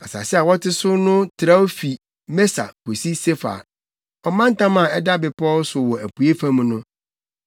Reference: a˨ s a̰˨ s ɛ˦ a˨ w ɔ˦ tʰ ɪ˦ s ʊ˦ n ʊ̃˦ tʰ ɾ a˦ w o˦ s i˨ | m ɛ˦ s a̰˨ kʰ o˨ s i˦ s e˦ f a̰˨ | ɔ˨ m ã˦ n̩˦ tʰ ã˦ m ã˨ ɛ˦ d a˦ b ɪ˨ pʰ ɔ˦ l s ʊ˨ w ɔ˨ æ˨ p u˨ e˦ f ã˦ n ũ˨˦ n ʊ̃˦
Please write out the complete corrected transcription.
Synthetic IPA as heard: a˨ s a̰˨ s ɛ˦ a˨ w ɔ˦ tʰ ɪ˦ s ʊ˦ n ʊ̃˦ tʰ ɾ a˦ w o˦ f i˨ | m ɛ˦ s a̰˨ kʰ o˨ s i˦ s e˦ f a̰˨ | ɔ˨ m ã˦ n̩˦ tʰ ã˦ m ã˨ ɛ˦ d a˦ b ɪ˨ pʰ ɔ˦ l s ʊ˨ w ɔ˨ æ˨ p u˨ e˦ f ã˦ m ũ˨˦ n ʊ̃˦